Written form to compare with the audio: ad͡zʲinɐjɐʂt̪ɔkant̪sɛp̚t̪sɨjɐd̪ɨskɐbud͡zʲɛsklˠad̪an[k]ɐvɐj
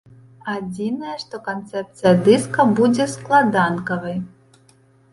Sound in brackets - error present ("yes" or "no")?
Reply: no